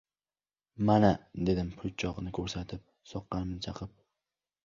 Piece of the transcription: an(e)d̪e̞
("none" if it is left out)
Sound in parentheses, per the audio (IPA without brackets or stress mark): a